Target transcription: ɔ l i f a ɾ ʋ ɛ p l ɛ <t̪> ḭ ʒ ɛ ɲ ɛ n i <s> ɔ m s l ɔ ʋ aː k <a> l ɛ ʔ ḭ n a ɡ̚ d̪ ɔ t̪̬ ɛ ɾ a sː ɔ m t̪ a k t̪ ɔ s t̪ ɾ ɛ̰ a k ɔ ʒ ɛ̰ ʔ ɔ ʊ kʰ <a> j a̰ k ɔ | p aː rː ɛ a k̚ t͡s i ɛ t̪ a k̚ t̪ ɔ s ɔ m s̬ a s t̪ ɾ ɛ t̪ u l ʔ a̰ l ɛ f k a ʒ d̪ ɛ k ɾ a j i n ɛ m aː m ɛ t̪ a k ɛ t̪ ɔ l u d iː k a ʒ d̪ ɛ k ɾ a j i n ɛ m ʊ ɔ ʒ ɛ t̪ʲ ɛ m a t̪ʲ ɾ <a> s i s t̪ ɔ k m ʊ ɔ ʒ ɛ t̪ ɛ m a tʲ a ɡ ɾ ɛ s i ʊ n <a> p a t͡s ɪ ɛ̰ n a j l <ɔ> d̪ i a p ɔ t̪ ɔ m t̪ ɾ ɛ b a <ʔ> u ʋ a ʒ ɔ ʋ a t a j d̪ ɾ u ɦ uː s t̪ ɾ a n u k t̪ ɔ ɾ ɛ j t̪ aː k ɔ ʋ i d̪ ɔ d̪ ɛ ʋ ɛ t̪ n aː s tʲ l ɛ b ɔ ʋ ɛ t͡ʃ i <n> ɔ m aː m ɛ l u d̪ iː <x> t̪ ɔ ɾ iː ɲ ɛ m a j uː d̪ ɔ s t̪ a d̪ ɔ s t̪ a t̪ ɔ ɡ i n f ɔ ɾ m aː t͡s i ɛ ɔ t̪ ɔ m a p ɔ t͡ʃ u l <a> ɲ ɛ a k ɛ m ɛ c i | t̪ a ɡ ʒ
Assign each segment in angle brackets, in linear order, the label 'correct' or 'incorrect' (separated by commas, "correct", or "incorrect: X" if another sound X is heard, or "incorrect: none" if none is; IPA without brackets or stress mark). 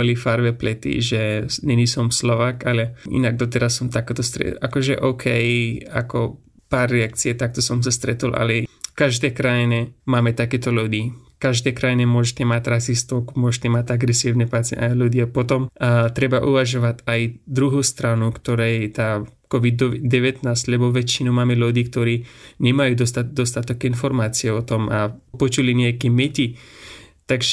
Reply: correct, correct, correct, incorrect: ɛ, correct, incorrect: ɛ, incorrect: u, correct, correct, incorrect: k, incorrect: i